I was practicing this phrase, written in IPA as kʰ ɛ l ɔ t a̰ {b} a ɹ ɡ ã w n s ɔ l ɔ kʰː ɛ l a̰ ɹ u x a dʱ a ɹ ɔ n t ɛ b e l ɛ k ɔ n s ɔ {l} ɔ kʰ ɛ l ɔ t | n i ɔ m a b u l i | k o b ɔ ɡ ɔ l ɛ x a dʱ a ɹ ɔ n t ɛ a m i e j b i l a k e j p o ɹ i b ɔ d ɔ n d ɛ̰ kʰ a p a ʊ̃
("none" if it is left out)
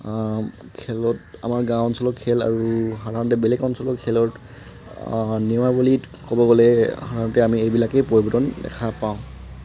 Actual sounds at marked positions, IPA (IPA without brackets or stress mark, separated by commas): m, l